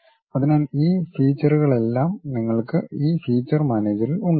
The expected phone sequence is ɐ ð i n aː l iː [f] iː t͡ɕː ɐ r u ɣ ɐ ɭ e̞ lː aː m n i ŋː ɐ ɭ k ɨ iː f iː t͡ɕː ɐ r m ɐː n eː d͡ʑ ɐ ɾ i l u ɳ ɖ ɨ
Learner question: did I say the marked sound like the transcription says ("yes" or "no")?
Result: yes